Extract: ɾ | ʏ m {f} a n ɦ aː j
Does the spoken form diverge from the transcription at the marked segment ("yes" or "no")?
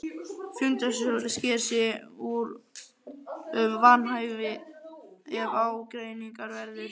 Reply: yes